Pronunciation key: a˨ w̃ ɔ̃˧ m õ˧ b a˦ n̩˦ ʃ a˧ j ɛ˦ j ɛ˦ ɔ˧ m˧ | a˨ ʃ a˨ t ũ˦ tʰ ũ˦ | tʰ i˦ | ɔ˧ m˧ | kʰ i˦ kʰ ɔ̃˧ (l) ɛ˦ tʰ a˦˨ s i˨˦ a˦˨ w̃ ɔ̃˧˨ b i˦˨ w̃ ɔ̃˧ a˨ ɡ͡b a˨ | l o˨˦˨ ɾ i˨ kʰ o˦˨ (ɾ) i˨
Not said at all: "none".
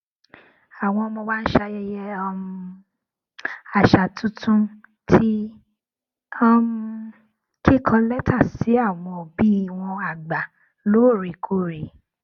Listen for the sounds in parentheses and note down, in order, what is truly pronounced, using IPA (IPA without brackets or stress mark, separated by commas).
l, ɾ